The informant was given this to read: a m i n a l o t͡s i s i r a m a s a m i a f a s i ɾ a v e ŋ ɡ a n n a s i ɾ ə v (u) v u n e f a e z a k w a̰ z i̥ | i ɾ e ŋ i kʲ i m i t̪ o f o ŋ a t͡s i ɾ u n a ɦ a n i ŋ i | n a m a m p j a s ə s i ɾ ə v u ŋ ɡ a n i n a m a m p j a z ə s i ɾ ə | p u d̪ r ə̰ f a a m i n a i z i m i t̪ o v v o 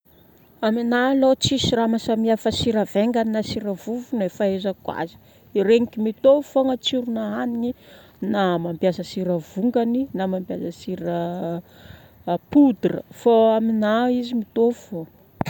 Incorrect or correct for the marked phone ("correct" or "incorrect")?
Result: correct